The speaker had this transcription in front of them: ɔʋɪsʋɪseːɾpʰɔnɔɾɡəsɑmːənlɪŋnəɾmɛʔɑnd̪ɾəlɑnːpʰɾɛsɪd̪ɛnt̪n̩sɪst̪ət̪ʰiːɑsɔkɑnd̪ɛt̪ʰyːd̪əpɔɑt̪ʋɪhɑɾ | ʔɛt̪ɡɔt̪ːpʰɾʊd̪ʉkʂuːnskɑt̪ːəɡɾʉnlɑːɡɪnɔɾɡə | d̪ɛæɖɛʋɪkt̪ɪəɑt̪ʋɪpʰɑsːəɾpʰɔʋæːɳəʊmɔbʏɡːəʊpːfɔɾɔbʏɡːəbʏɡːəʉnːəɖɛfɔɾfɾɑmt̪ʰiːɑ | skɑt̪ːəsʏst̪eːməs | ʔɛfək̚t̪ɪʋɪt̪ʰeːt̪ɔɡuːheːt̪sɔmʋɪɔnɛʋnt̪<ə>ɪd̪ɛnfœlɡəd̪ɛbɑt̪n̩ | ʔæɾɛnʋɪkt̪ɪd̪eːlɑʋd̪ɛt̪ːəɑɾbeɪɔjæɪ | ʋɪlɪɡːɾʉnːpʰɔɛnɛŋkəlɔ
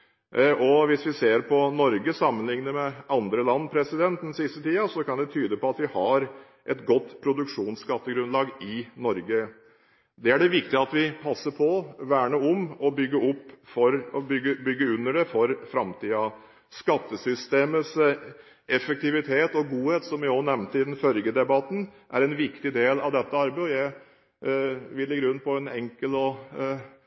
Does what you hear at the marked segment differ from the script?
no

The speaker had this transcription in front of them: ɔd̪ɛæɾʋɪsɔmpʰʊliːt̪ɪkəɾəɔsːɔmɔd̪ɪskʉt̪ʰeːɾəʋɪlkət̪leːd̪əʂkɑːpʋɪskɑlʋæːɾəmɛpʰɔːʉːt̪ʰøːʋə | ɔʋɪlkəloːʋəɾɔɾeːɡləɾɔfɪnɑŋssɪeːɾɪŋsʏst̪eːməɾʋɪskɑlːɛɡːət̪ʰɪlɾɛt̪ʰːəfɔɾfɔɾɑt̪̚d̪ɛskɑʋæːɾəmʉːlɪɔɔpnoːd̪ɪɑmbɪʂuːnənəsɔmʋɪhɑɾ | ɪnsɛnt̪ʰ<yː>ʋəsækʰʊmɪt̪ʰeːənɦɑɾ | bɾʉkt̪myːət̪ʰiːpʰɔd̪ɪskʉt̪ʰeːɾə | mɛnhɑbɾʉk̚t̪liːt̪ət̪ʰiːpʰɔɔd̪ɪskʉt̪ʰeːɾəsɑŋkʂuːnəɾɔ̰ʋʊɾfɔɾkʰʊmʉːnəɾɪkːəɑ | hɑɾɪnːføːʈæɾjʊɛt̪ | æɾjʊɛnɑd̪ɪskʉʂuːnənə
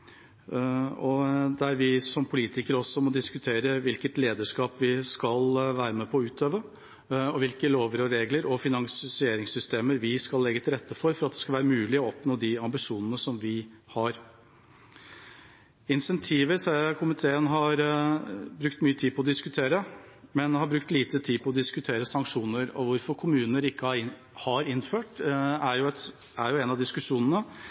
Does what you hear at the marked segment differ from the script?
yes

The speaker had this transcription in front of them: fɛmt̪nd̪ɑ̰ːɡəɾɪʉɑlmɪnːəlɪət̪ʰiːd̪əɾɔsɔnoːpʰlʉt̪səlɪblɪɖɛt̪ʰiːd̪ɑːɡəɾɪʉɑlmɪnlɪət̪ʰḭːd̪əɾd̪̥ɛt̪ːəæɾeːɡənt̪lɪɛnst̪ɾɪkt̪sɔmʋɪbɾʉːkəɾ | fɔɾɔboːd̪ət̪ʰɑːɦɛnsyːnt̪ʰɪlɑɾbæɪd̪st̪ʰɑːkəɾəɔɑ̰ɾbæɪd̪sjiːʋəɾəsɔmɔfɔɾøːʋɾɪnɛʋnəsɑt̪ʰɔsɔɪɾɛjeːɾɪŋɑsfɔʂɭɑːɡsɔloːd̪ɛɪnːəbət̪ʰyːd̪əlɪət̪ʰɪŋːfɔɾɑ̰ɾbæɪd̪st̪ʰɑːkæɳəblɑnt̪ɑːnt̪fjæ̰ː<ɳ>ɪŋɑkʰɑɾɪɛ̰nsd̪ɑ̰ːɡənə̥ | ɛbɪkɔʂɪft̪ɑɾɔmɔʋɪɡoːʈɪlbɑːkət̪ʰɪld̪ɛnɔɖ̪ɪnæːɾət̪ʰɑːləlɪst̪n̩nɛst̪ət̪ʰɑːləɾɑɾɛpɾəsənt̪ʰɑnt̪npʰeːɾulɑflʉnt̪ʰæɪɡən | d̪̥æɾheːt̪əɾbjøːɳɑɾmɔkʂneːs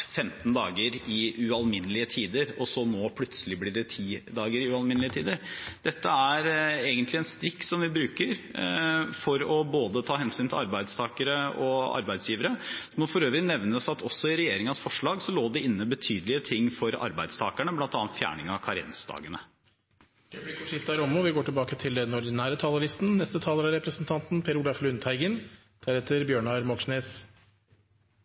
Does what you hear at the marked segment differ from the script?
no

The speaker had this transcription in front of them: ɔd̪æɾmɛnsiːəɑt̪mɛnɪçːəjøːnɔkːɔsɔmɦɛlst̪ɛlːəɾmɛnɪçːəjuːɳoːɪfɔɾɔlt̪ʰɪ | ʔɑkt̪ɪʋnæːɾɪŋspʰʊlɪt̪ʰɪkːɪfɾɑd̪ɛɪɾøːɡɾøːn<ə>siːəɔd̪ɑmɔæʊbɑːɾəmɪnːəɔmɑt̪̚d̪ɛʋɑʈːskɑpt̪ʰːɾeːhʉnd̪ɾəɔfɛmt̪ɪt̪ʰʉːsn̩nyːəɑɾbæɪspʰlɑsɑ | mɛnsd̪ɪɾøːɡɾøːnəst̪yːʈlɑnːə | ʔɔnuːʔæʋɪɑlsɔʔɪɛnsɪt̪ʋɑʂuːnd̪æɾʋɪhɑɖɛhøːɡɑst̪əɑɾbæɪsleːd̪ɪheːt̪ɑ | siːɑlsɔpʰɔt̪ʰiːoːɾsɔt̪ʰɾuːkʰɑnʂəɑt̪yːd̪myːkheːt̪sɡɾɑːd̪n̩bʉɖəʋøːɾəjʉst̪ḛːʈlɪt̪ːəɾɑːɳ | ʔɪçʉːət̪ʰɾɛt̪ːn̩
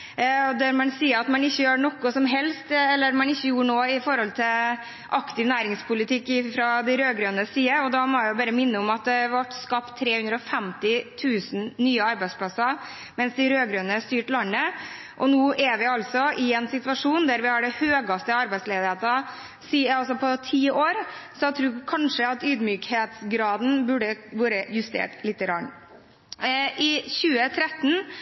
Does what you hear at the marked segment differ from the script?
no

